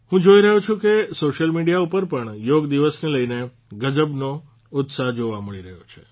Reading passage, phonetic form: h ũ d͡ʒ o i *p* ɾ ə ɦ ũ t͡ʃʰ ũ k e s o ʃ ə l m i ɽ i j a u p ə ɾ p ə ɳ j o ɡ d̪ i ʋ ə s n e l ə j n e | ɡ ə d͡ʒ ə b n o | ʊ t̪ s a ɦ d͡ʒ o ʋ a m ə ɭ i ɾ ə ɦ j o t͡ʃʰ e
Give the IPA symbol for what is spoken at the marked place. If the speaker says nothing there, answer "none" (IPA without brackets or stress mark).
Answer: none